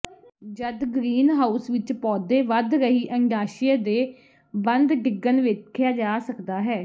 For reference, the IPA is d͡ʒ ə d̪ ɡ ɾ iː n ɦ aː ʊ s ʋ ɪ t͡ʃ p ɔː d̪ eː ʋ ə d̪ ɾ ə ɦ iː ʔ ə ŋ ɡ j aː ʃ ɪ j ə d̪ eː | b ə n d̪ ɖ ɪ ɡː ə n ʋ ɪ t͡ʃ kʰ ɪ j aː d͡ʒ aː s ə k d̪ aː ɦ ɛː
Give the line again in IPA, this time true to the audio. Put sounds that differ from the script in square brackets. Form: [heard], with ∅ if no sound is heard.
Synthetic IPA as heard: d͡ʒ ə d̪ ɡ ɾ iː n ɦ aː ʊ s ʋ ɪ t͡ʃ p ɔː d̪ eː ʋ ə d̪ ɾ ə ɦ iː ʔ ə ŋ ɡ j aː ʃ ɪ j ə d̪ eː | b ə n d̪ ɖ ɪ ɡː ə n ʋ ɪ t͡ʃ kʰ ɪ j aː d͡ʒ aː s ə k d̪ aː ɦ ɛː